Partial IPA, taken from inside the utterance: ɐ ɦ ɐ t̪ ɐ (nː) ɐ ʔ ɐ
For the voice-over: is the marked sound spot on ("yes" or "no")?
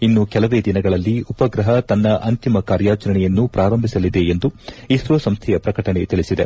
yes